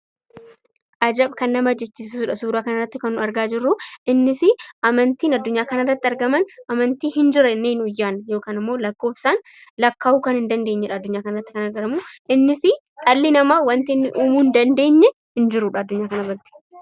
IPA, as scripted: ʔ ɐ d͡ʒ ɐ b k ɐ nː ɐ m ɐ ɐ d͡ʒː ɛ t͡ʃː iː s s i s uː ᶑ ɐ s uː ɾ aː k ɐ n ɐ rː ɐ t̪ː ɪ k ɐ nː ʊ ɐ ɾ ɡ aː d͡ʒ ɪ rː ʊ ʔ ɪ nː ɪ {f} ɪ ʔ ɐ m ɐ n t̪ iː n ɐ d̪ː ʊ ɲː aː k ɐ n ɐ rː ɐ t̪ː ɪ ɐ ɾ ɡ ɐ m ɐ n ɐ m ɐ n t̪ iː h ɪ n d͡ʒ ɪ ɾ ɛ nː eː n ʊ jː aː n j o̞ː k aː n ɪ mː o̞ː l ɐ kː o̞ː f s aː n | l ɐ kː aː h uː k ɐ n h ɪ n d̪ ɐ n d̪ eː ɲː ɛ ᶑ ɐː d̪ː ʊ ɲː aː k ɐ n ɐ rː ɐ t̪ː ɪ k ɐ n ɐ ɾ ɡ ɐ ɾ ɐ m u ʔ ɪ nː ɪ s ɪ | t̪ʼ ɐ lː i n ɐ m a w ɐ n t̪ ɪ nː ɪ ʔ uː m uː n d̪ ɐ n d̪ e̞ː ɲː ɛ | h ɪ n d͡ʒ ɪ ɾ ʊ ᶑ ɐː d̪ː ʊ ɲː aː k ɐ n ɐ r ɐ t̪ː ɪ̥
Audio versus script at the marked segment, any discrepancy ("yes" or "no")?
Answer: yes